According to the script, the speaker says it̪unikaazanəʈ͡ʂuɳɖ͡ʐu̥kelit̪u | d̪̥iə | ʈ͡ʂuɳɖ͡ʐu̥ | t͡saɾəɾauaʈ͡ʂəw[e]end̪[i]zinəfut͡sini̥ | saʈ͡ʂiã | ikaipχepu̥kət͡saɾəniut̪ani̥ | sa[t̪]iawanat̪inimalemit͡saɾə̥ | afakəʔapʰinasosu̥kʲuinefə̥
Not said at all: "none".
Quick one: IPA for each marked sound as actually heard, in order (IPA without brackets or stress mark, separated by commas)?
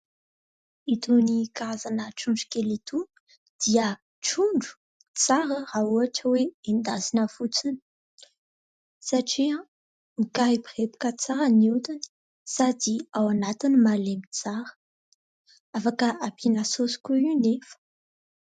e, a, d̪